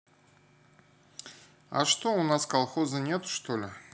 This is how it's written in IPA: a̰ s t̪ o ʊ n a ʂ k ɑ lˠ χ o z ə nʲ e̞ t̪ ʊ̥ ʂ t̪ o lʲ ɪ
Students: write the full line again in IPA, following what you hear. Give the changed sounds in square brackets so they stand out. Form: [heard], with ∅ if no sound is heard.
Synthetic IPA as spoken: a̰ [ʂ] t̪ o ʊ n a [s] k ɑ lˠ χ o z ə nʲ e̞ t̪ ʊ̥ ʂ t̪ o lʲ ɪ